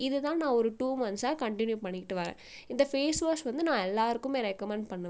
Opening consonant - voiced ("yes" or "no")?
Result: yes